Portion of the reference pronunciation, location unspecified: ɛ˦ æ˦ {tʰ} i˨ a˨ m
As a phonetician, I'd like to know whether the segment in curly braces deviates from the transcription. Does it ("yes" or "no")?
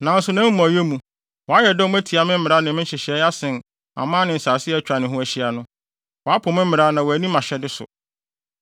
no